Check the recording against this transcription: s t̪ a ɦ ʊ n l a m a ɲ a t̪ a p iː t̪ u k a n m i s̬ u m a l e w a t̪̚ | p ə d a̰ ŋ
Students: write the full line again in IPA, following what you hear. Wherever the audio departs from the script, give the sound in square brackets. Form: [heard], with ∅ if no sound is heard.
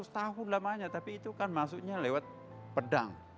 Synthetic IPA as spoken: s t̪ a ɦ ʊ n l a m a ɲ a t̪ a p iː t̪ u k a n m [a] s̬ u [ɲ] a l e w a t̪̚ | p ə d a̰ ŋ